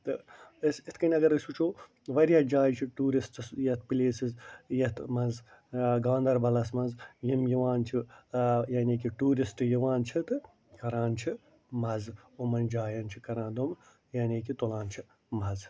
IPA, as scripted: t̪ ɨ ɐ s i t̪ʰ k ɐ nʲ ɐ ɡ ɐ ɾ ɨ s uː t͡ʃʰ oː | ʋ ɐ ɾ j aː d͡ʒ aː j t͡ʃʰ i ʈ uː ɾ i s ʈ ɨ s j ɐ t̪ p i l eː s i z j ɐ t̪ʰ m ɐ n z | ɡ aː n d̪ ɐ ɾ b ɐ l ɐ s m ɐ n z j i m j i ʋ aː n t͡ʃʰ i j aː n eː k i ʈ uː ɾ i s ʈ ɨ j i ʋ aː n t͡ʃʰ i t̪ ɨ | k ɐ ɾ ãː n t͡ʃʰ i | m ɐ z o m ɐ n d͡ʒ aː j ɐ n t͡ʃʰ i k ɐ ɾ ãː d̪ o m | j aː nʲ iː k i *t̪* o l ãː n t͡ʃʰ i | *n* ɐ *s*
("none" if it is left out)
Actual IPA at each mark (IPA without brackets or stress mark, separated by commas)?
t̪, m, z